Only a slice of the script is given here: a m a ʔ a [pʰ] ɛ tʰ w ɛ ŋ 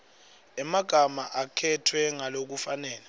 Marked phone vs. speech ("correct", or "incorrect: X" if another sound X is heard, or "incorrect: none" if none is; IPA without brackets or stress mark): incorrect: kʰ